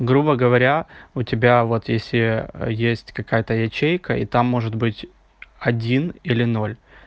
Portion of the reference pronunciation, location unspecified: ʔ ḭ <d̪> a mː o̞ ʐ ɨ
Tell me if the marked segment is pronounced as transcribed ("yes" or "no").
no